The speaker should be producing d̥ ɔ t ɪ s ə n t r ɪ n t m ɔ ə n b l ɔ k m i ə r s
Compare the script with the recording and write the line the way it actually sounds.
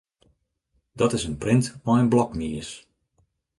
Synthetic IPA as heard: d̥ ɔ t ɪ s ə n p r ɪ n t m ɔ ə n b l ɔ k m i ə s